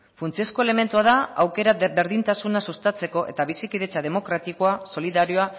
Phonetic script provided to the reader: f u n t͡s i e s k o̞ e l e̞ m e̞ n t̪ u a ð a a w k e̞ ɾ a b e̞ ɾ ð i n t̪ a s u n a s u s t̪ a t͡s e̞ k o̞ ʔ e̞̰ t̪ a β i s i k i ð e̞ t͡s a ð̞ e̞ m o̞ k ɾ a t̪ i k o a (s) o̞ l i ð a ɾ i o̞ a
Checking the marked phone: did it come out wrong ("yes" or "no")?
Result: no